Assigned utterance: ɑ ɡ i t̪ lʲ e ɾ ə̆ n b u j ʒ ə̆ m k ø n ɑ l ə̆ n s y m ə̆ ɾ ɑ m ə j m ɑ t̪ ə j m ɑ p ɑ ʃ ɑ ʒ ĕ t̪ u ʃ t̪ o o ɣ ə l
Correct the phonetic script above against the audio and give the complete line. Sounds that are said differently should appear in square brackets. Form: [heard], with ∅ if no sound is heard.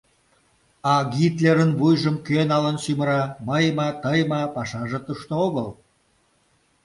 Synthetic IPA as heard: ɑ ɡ i t̪ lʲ e ɾ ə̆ n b u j ʒ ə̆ m k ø n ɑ l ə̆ n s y m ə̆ ɾ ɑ m ə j m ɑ t̪ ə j m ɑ p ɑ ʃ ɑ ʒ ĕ t̪ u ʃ t̪ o o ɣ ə l

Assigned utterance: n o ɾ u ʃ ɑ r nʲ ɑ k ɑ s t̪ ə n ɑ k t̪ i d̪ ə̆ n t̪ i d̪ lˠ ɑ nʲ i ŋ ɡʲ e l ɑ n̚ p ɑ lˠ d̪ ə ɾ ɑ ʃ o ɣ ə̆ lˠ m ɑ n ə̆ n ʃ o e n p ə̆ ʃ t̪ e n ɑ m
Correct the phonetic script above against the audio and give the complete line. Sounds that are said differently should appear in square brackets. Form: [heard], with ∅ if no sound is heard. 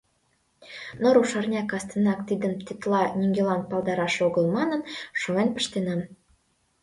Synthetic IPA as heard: n o ɾ u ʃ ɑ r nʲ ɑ k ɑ s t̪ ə n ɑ k t̪ i d̪ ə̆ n t̪ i [t̪] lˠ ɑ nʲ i ŋ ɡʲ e l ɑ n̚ p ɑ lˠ d̪ [ɑ] ɾ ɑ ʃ o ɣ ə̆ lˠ m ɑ n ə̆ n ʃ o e n p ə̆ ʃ t̪ e n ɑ m

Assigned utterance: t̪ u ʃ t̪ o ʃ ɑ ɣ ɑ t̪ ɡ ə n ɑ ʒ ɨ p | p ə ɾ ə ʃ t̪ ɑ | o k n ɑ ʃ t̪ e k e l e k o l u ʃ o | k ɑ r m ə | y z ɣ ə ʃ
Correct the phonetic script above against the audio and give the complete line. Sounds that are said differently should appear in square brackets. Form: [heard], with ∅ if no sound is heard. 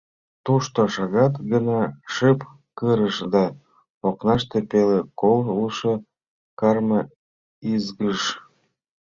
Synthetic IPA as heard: t̪ u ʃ t̪ o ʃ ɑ ɣ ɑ t̪ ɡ ə n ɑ [ʃ] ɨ p | [k] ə ɾ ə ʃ [d̪] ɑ | o k n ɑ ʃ t̪ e [p] e l e k o l u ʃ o | k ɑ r m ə | [i] z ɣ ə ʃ

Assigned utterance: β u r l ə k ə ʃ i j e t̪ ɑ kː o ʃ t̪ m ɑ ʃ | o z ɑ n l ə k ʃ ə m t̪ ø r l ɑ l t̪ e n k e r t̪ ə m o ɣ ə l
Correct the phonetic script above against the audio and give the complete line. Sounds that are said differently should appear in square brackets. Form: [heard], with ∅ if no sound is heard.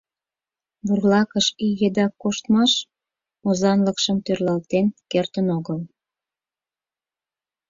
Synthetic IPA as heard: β u r l [ɑ] k ə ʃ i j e [d̪] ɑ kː o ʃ t̪ m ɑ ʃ | o z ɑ n l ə k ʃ ə m t̪ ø r l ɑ l t̪ e n k e r t̪ ə [n] o ɣ ə l

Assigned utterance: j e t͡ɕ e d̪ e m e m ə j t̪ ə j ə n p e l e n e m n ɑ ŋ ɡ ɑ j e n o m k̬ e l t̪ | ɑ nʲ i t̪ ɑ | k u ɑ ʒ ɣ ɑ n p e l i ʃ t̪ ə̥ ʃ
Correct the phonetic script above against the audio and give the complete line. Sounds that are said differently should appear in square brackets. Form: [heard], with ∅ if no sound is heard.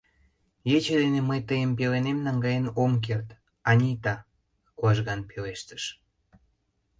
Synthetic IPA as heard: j e t͡ɕ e d̪ e [n] e m ə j t̪ ə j ə [m] p e l e n e m n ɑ ŋ ɡ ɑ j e n o m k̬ e [r] t̪ | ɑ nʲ i t̪ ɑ | k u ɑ ʒ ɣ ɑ n p e l [e] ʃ t̪ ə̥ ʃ

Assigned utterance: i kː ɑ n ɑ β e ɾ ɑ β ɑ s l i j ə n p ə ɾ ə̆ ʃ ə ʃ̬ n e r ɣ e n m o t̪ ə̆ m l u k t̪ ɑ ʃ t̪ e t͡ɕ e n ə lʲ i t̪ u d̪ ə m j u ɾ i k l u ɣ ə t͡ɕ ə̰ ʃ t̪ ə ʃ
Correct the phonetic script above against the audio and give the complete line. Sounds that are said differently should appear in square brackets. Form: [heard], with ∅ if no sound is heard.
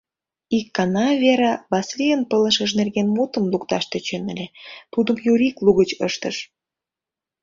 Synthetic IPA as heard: i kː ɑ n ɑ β e ɾ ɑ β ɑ s l i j ə n p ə [l] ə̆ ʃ ə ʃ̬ n e r ɣ e n m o t̪ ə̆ m l u k t̪ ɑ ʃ t̪ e t͡ɕ e n ə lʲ [e] t̪ u d̪ ə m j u ɾ i k l u ɣ ə t͡ɕ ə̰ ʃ t̪ ə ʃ

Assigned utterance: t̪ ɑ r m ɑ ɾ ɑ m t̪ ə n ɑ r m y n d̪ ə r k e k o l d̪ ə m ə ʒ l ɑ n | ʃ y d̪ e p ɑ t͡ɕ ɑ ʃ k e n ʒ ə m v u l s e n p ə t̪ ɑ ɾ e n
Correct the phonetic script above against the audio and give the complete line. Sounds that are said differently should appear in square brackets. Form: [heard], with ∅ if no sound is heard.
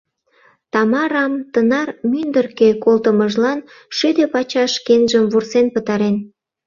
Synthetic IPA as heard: t̪ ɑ [∅] m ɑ ɾ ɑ m t̪ ə n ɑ r m y n d̪ ə r k e k o l [t̪] ə m ə ʒ l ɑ n | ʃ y d̪ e p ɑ t͡ɕ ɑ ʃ k e n ʒ ə m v u [r] s e n p ə t̪ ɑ ɾ e n

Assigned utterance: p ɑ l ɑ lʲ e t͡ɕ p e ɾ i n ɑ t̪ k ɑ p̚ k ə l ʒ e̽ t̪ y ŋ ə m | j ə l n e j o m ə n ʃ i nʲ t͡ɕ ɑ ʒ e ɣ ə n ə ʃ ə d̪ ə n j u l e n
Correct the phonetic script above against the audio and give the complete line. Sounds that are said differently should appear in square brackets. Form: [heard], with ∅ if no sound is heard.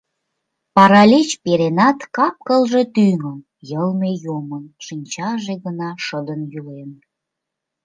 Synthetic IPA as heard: p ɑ [ɾ] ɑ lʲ e t͡ɕ p e ɾ [e] n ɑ t̪ k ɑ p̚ k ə l ʒ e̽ t̪ y ŋ ə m | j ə l [m] e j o m ə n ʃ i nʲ t͡ɕ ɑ ʒ e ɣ ə n [ɑ] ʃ ə d̪ ə n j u l e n

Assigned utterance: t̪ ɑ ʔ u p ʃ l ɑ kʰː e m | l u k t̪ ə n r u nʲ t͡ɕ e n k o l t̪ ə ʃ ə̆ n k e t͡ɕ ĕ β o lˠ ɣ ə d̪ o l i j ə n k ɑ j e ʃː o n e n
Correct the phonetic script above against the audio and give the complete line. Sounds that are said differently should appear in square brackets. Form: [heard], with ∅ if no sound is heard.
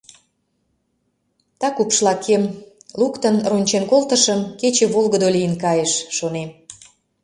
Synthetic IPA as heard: t̪ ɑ [k] u p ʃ l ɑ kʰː e m | l u k t̪ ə n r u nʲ t͡ɕ e n k o l t̪ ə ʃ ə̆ [m] k e t͡ɕ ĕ β o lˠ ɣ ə d̪ o l i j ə n k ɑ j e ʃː o n e [m]

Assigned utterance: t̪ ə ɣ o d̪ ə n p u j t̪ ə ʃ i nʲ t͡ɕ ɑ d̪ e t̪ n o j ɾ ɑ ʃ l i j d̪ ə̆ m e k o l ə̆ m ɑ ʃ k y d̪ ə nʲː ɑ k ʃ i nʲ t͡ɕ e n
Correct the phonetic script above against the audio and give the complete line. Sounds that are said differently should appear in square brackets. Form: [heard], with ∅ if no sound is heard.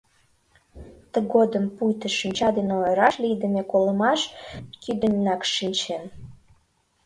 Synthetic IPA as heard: t̪ ə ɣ o d̪ ə [m] p u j t̪ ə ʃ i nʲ t͡ɕ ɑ d̪ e [∅] n o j ɾ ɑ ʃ l i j d̪ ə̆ m e k o l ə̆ m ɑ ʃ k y d̪ ə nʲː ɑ k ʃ i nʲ t͡ɕ e n

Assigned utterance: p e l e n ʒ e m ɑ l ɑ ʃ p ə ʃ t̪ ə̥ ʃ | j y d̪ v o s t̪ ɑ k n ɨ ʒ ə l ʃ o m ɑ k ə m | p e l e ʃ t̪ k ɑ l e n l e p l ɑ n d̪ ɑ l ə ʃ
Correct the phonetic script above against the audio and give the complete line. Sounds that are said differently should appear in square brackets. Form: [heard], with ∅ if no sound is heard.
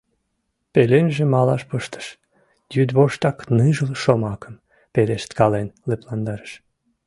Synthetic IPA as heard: p e l e n ʒ e m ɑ l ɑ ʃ p ə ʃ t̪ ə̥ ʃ | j y d̪ [β] o [ʃ] t̪ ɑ k n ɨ ʒ ə l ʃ o m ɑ k ə m | p e l e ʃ t̪ k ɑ l e n l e p l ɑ n d̪ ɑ [ɾ] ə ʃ

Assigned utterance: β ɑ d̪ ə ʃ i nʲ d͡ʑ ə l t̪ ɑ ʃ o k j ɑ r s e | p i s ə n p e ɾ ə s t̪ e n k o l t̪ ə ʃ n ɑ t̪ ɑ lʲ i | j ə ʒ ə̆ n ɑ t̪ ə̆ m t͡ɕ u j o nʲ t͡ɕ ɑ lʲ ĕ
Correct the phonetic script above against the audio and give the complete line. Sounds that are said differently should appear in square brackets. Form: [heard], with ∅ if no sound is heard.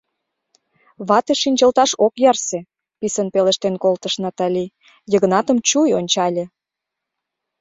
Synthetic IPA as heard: β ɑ [t̪] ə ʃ i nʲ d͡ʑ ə l t̪ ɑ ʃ o k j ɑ r s e | p i s ə n p e [l] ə [ʃ] t̪ e n k o l t̪ ə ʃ n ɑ t̪ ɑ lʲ i | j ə [ɣ] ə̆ n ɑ t̪ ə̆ m t͡ɕ u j o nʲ t͡ɕ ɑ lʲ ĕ

